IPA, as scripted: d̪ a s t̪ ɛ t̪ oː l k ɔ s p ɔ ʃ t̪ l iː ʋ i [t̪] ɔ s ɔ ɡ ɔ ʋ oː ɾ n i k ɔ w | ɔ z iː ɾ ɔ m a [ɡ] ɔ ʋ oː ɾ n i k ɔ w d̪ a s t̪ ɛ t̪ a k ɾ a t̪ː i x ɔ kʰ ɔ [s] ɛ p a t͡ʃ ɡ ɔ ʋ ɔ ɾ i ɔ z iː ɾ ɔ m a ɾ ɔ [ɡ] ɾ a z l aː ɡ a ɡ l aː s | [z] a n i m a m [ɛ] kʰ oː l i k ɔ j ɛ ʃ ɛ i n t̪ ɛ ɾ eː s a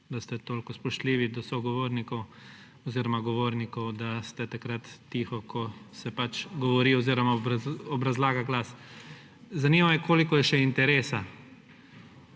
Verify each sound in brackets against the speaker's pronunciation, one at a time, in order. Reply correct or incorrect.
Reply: incorrect: d̪, correct, correct, incorrect: b, correct, correct

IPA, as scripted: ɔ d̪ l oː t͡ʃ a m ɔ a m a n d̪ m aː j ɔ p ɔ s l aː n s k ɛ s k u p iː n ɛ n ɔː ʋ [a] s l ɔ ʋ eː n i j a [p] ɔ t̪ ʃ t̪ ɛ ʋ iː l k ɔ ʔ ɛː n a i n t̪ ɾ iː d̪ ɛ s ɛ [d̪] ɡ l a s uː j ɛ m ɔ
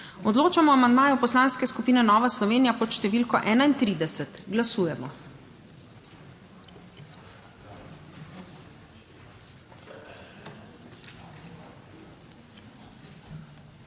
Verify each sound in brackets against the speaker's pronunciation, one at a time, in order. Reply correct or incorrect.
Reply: correct, correct, incorrect: t̪

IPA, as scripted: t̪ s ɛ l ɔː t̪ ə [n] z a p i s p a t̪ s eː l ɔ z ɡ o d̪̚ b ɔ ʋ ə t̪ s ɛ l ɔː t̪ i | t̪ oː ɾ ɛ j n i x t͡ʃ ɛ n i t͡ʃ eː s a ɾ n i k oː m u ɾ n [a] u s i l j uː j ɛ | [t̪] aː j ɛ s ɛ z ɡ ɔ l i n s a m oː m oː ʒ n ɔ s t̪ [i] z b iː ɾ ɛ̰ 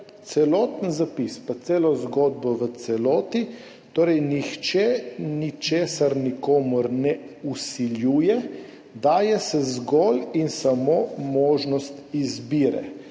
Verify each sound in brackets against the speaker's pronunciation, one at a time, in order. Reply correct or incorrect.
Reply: correct, incorrect: ɛ, incorrect: d̪, correct

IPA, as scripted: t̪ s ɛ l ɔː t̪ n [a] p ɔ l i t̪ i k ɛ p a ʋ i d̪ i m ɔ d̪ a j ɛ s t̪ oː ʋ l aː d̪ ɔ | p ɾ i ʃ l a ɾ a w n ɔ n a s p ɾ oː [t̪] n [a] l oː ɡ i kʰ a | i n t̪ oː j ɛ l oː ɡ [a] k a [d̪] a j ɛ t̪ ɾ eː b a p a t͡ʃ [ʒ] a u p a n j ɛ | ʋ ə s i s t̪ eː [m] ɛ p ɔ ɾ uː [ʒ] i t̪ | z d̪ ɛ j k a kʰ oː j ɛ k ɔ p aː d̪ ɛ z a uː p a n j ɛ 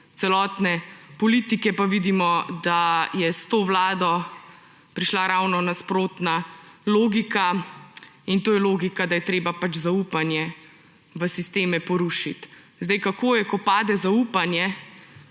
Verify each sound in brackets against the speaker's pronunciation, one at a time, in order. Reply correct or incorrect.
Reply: incorrect: ɛ, correct, correct, incorrect: i, correct, incorrect: z, correct, incorrect: ʃ

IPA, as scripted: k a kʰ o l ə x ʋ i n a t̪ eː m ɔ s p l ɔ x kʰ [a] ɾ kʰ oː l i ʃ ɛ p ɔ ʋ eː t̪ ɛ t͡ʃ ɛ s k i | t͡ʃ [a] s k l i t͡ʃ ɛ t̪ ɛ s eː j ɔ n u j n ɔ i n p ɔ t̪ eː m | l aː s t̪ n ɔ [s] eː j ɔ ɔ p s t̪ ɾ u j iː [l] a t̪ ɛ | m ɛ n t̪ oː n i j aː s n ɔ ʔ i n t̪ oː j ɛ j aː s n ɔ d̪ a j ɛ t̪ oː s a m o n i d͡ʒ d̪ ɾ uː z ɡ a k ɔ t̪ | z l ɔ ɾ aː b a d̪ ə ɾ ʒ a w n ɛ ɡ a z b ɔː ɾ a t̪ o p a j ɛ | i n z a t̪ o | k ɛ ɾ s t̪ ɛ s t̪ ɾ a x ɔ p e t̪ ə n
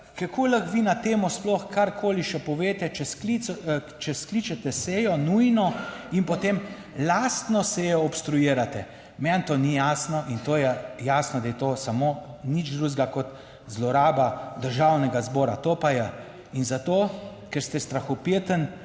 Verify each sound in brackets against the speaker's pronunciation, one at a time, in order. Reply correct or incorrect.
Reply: correct, incorrect: ɛ, correct, incorrect: ɾ

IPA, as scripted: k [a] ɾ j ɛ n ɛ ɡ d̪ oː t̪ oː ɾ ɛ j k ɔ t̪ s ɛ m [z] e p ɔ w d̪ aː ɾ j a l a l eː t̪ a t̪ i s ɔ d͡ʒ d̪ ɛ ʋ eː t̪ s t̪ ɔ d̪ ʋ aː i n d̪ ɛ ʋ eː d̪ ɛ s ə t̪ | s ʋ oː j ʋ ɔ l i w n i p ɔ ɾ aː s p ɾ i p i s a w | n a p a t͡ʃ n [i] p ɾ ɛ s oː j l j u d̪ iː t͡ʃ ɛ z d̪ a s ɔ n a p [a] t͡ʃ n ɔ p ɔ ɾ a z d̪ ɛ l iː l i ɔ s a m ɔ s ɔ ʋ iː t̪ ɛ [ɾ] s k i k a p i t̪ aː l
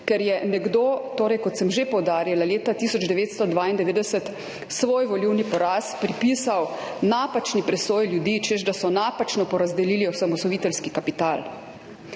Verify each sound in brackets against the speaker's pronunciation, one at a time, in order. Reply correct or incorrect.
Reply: incorrect: ɛ, incorrect: ʒ, correct, correct, incorrect: l

